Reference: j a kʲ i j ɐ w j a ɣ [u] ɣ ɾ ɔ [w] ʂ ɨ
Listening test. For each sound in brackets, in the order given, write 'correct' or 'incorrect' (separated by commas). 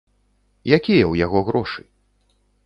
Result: incorrect, incorrect